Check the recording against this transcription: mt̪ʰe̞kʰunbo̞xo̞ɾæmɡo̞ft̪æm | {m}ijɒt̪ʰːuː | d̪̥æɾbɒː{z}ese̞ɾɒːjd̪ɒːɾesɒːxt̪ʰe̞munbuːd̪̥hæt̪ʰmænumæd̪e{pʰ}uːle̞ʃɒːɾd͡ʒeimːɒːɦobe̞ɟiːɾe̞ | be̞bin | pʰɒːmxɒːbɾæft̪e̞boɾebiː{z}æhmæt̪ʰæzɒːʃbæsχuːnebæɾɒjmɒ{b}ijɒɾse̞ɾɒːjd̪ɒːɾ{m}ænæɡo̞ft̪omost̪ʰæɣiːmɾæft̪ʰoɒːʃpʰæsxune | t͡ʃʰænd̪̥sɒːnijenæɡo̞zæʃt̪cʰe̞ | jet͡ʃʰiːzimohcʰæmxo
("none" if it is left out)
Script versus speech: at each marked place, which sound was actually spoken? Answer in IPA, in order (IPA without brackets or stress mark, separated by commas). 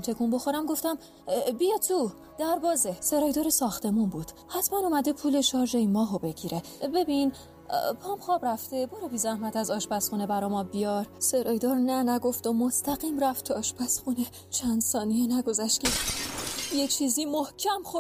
b, z, pʰ, z, b, n